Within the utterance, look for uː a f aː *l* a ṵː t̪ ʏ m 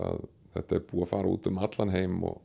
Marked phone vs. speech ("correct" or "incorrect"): incorrect